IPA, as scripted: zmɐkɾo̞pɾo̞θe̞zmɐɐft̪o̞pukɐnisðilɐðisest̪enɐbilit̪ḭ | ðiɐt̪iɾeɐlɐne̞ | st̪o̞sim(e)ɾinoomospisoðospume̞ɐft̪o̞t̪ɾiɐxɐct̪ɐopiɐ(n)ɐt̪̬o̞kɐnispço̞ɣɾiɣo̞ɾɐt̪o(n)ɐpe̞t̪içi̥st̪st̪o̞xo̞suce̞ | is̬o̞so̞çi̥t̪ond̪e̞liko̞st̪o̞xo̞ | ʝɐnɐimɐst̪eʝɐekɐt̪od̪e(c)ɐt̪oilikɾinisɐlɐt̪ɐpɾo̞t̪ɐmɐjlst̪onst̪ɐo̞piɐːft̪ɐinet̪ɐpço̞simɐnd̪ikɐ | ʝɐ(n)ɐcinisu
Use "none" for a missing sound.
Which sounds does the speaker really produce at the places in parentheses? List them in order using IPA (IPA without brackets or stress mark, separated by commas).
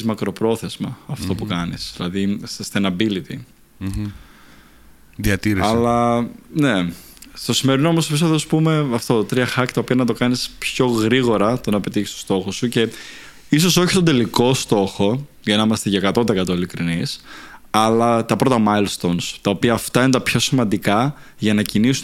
e, n, n, k, n